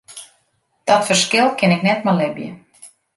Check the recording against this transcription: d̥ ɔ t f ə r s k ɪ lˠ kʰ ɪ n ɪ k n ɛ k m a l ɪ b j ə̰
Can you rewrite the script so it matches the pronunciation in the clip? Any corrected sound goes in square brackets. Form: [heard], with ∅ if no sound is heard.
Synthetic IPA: d̥ ɔ t f ə r s k ɪ lˠ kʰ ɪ n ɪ k n ɛ [t] m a l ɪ b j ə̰